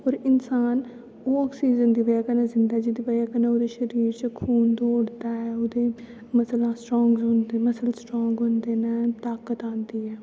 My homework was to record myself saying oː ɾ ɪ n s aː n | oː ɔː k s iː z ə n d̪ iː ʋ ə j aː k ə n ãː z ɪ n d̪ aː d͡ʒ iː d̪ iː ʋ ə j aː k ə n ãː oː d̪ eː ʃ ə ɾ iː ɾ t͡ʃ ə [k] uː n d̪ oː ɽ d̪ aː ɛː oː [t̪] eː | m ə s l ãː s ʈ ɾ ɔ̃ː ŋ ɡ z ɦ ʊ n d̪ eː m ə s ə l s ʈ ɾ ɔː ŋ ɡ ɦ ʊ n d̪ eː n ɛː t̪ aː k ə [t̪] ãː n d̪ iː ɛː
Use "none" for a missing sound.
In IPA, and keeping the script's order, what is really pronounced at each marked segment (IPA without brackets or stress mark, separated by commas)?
kʰ, d̪, t̪